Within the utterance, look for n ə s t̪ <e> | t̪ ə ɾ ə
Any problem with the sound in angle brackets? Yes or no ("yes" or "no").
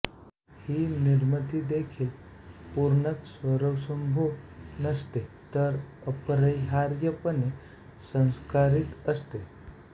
no